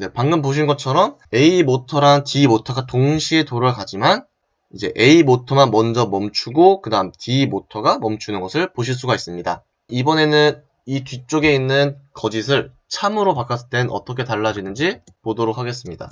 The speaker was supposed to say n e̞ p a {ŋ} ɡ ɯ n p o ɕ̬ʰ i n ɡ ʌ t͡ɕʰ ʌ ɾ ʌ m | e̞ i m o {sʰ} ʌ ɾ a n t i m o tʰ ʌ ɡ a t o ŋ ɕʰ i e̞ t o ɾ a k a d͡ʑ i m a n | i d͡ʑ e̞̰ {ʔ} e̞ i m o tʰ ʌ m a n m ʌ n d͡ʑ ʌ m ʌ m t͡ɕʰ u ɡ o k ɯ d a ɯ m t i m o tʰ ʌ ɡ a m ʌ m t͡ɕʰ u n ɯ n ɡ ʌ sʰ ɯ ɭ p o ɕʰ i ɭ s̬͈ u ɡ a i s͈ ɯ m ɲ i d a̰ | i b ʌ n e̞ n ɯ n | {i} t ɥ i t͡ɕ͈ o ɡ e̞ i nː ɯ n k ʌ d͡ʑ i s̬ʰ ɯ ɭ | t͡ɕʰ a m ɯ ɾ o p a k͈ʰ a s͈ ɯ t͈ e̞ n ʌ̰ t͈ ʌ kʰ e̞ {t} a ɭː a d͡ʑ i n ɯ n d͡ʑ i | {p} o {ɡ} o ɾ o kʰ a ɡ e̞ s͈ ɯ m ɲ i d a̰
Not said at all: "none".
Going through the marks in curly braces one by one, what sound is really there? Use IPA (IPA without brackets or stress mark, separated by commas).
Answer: ŋ, tʰ, ʔ, i, t, p, d